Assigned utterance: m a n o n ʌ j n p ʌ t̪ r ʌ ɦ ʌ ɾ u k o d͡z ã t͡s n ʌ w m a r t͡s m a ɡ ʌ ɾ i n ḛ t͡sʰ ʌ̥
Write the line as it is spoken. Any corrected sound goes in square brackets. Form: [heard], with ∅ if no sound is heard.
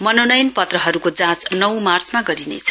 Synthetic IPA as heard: m [ʌ] n o n ʌ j n p ʌ t̪ r ʌ ɦ ʌ ɾ u k o d͡z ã t͡s n ʌ w m a r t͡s m a ɡ ʌ ɾ i n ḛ t͡sʰ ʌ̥